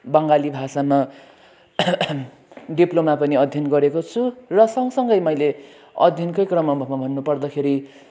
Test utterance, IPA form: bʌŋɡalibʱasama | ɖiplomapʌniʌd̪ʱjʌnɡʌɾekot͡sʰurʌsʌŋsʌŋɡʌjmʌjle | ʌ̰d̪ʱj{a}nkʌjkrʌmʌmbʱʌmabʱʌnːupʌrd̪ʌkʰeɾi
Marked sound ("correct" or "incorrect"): incorrect